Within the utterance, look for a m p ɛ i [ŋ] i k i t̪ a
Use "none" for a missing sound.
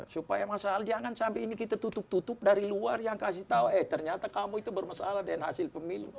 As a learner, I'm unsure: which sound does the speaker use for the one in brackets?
n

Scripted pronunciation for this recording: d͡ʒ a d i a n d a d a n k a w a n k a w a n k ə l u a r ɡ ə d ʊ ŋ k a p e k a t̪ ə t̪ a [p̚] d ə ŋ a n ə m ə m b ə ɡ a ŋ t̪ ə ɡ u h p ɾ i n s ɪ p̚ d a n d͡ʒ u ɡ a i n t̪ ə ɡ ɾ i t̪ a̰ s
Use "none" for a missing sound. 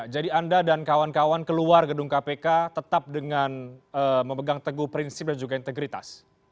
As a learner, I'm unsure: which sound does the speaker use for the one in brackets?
p̚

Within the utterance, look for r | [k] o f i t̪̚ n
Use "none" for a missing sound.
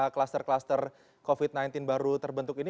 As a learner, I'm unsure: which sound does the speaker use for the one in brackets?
k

